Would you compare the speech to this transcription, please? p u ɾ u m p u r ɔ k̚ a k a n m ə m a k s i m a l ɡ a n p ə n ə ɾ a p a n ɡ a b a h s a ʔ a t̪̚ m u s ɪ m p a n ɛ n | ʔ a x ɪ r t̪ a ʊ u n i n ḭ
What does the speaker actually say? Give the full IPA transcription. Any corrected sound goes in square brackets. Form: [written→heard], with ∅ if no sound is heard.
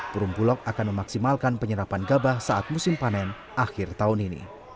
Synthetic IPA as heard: p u ɾ u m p u [r→l] ɔ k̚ a k a n m ə m a k s i m a l [ɡ→k] a n p ə [n→ɲ] ə ɾ a p a n ɡ a b a h s a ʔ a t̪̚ m u s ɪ m p a n ɛ n | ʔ a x ɪ r t̪ a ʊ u n i n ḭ

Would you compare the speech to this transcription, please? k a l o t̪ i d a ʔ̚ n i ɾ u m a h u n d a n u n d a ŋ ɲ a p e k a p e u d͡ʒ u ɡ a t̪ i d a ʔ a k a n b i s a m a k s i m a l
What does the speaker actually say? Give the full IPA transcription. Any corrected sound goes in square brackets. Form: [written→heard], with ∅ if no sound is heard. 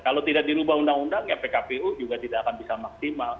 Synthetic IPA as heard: k a l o t̪ i d a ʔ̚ [n→d] i ɾ u [m→b] a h u n d a [n→ŋ] u n d a ŋ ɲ a p e k a p e u d͡ʒ u ɡ a t̪ i d a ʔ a k a n b i s a m a k s i m a l

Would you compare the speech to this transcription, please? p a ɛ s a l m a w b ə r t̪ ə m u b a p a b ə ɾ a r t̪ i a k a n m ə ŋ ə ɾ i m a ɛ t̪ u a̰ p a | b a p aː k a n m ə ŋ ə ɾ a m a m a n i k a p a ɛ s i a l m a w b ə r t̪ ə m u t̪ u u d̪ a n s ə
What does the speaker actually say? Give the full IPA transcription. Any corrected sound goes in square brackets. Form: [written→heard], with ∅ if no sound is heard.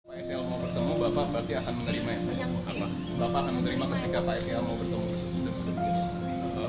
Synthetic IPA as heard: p a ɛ s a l m a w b ə r t̪ ə m u b a p a b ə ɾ a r t̪ i a k a n m ə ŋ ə ɾ i m a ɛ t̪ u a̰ p a | b a p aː k a n m ə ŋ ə ɾ [a→i] m a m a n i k a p a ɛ s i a l m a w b ə r t̪ ə m u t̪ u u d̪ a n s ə

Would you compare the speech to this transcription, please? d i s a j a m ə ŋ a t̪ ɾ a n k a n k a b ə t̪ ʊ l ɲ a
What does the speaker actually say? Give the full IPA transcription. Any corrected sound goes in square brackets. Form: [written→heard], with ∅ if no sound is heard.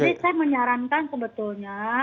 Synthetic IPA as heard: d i s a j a m ə [ŋ→ɲ] a [t̪→∅] ɾ a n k a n k [a→ə] b ə t̪ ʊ l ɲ a

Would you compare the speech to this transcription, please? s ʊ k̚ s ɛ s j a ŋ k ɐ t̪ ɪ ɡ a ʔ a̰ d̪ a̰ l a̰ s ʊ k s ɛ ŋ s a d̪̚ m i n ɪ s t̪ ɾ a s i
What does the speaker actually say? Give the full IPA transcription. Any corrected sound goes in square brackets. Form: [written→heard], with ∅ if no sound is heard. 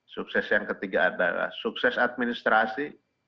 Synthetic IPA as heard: s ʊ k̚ s ɛ s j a ŋ k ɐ t̪ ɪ ɡ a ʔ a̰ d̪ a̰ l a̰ s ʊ k s ɛ [ŋ→∅] s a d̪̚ m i n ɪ s t̪ ɾ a s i

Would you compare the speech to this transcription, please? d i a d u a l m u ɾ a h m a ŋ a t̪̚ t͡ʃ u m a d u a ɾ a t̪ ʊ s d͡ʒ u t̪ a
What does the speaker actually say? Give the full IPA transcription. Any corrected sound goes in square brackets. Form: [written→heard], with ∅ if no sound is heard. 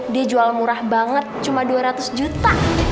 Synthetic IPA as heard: d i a [d→d͡ʒ] u a l m u ɾ a h [m→b] a ŋ [a→ə] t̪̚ t͡ʃ u m a d u a ɾ a t̪ ʊ s d͡ʒ u t̪ a

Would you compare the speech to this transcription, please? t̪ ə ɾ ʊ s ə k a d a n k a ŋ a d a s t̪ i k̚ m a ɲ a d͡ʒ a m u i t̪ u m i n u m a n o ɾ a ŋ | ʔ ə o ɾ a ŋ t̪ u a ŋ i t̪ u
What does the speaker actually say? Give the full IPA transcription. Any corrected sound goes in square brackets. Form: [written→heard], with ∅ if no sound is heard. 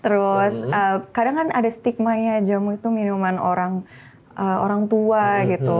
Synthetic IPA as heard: t̪ ə ɾ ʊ s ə k a d a [n→ŋ] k a [ŋ→n] a d a s t̪ i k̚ m a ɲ a d͡ʒ a m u i t̪ u m i n u m a n o ɾ a ŋ | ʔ ə o ɾ a ŋ t̪ u a [ŋ→ɡ] i t̪ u

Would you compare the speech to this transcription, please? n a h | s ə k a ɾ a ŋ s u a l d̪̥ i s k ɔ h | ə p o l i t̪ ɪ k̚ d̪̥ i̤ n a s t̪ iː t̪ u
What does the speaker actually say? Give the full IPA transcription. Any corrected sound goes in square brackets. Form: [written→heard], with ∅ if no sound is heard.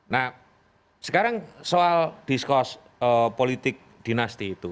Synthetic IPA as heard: n a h | s ə k a ɾ a ŋ s [u→o] a l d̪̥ i s k ɔ [h→s] | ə p o l i t̪ ɪ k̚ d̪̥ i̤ n a s t̪ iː t̪ u

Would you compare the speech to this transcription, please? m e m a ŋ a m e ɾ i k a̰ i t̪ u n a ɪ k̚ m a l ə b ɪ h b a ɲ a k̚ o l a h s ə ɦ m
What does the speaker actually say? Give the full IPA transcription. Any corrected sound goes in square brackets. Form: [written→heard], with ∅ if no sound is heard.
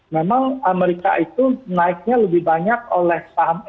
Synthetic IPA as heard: m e m a ŋ a m e ɾ i k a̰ i t̪ u n a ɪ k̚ [m→ɲ] a l ə b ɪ h b a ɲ a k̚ o l [a→ɛ] h s [ə→a] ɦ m

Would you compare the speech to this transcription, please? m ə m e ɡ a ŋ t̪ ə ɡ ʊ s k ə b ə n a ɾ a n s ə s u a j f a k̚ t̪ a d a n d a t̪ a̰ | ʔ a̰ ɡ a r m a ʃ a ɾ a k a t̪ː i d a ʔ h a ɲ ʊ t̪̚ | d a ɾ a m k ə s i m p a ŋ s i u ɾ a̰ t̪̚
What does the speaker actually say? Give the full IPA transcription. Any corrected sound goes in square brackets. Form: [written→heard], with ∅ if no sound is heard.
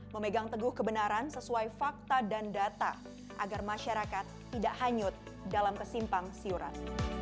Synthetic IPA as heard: m ə m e ɡ a ŋ t̪ ə ɡ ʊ [s→h] k ə b ə n a ɾ a n s ə s u a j f a k̚ t̪ a d a n d a t̪ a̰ | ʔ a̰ ɡ a r m a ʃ a ɾ a k a t̪ː i d a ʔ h a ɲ ʊ t̪̚ | d a [ɾ→l] a m k ə s i m p a ŋ s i u ɾ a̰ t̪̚

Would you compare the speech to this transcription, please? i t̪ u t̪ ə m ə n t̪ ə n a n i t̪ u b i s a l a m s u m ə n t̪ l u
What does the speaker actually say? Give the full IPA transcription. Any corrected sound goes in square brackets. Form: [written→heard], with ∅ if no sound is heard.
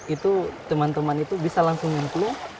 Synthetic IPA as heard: i t̪ u t̪ ə m [ə→a] n t̪ ə [n→m] a n i t̪ u b i s a l a [m→ŋ] s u [m→ŋ] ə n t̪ l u

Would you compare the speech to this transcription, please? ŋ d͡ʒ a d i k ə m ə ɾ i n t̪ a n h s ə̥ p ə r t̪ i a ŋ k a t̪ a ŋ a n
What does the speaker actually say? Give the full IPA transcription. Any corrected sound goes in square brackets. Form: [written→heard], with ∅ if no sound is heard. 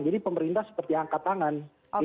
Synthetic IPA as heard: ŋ d͡ʒ a d i [k→p] ə m ə ɾ i n t̪ a [n→∅] h s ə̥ p ə r t̪ i a ŋ k a t̪ a ŋ a n

